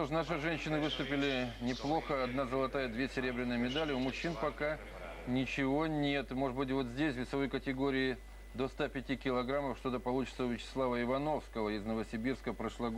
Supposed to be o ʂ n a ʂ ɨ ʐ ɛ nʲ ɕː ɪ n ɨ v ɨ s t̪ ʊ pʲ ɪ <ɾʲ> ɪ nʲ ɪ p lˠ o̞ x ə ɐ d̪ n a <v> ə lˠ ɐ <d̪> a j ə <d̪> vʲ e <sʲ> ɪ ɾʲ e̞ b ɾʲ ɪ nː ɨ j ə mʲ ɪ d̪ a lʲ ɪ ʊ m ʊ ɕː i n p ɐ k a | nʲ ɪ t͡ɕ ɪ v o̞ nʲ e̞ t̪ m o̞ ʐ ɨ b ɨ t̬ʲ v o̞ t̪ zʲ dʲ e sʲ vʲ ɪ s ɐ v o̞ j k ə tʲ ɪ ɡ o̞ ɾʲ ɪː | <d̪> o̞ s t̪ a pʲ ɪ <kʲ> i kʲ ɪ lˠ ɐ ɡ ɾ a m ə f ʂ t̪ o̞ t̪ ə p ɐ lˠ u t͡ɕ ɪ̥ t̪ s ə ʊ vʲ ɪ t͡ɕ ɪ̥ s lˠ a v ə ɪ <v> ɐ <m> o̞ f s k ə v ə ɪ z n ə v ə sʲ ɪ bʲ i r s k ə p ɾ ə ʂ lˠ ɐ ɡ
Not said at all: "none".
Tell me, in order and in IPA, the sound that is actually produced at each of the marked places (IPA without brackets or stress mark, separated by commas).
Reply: lʲ, z, t̪, d̪, sʲ, d̪, tʲ, v, n